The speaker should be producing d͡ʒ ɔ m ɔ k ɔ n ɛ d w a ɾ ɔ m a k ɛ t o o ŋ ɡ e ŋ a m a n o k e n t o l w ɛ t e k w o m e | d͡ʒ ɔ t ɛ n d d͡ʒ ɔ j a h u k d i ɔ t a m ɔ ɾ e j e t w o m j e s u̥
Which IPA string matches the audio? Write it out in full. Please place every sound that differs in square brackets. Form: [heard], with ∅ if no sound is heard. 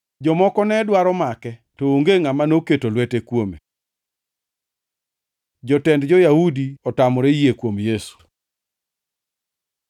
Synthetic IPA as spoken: d͡ʒ ɔ m ɔ k ɔ n ɛ d w a ɾ ɔ m a k ɛ t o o ŋ ɡ e ŋ a m a n o k e [∅] t o l w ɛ t e k w o m e | d͡ʒ ɔ t ɛ n d d͡ʒ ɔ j a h u [∅] d i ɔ t a m ɔ ɾ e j e [k] w o m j e s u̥